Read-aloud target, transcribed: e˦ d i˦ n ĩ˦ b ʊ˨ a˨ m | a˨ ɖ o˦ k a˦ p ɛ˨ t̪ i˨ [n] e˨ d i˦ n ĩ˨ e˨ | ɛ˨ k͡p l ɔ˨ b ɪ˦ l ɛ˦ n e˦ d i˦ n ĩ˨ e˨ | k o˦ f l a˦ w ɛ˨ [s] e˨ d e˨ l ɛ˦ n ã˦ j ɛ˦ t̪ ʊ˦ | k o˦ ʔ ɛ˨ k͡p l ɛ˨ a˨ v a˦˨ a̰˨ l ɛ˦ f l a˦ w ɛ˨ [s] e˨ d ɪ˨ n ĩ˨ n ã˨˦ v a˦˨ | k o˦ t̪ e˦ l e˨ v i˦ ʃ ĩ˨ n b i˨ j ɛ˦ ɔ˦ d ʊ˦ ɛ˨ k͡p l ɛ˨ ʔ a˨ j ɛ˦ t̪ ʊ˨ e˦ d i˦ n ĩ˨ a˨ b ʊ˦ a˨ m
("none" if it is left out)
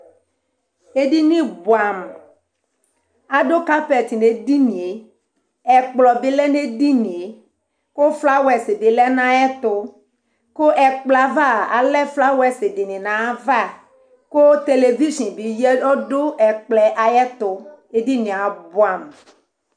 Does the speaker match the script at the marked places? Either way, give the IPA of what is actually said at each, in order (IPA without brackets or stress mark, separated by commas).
n, s, s